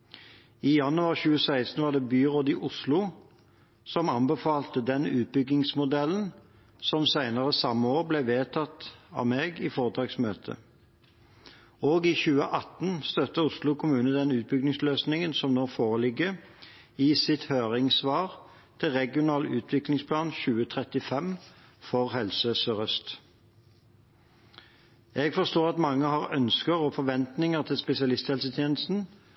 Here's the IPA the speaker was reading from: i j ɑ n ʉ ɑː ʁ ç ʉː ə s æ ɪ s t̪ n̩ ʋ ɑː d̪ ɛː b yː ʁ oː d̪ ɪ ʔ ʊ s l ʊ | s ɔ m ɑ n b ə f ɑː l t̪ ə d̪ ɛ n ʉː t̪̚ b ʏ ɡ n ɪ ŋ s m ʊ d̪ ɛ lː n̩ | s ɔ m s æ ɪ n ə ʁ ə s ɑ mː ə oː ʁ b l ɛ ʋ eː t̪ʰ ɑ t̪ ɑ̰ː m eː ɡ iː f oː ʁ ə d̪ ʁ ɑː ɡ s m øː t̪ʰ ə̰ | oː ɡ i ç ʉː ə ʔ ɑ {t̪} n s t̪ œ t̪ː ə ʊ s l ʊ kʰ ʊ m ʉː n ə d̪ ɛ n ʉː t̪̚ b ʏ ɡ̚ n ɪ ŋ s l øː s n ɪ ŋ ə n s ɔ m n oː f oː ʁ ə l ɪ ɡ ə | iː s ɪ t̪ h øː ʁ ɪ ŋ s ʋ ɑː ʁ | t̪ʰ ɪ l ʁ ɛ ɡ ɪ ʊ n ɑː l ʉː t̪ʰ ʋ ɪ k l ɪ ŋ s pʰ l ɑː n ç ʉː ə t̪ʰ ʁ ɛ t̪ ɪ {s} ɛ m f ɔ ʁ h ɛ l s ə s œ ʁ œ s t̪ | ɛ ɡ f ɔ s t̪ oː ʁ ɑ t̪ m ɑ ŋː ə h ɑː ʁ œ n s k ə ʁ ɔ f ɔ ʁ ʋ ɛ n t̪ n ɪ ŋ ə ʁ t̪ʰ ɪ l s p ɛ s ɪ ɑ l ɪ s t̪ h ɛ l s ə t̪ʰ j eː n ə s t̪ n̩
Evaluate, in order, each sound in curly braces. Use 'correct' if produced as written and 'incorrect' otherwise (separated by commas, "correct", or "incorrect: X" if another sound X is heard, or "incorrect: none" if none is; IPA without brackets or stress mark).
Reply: correct, incorrect: f